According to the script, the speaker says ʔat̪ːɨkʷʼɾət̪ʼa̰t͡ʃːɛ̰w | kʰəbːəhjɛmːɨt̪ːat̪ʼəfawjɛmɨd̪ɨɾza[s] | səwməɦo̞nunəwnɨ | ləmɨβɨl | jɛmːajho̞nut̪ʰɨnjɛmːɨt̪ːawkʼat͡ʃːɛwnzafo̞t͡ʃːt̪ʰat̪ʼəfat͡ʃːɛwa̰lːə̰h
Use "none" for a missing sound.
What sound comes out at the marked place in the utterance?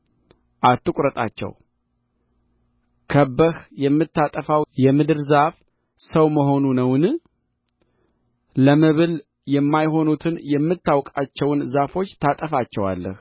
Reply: f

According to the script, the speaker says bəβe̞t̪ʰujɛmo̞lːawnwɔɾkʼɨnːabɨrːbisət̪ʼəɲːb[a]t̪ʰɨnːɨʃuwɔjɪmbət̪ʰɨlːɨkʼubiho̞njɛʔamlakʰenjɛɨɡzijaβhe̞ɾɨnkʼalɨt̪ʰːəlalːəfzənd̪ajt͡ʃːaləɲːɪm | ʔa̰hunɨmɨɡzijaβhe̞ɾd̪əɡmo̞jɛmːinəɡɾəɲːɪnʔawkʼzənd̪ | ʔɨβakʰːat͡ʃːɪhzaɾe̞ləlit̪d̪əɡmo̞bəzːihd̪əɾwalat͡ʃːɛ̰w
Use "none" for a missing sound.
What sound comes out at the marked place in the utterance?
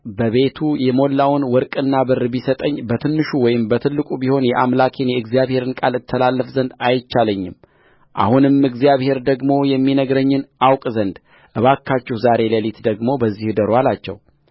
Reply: ə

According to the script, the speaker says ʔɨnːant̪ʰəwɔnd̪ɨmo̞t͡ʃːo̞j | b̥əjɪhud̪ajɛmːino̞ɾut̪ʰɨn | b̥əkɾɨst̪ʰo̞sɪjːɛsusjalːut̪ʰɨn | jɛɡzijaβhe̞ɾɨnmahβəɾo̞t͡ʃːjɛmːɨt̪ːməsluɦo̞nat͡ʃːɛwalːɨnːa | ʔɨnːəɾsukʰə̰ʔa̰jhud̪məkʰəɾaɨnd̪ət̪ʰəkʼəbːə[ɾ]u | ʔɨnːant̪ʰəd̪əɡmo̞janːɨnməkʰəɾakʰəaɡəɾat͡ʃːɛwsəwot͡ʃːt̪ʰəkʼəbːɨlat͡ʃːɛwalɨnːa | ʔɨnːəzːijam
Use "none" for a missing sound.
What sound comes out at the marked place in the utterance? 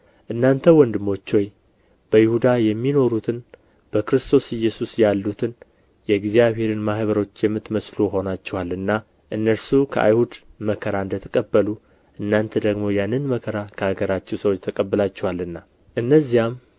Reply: l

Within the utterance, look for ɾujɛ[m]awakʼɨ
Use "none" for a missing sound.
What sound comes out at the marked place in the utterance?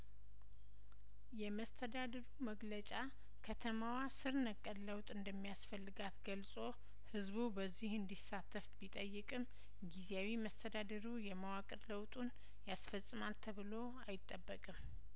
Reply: m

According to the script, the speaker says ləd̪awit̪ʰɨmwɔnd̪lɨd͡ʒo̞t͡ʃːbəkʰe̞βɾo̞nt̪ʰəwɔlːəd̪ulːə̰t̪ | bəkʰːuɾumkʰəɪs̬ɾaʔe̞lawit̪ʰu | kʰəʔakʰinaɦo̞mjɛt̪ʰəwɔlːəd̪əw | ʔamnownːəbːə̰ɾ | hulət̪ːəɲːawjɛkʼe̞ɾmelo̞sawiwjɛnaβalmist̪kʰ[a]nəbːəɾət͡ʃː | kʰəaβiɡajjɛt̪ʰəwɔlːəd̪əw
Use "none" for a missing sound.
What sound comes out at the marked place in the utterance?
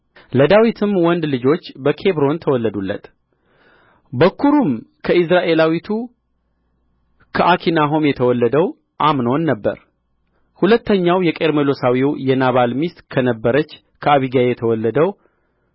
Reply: ə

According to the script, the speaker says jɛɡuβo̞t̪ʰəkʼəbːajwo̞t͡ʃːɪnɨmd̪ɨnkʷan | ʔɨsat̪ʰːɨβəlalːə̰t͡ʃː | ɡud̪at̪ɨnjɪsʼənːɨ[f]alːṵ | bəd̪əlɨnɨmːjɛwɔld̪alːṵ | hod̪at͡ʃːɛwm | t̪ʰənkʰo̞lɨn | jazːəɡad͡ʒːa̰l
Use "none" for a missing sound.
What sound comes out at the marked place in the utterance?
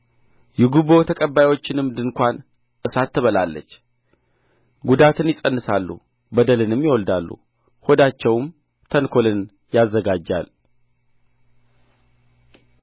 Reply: s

